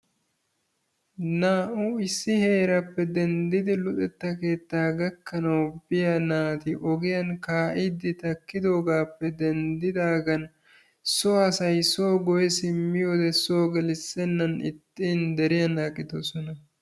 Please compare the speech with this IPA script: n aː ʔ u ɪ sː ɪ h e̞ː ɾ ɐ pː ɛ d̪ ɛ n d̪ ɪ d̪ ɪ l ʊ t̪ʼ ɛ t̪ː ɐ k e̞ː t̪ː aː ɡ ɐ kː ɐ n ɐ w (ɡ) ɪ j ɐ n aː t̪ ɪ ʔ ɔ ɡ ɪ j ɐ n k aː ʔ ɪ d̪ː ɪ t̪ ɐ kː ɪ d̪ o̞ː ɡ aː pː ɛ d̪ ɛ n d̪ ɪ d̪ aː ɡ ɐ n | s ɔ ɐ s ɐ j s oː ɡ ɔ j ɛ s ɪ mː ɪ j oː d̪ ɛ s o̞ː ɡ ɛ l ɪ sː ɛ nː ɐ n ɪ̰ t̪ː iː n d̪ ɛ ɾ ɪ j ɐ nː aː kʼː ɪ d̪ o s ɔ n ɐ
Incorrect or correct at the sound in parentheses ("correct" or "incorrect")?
incorrect